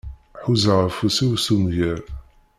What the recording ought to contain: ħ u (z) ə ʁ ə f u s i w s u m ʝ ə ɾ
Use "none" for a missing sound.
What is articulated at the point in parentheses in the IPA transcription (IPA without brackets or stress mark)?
z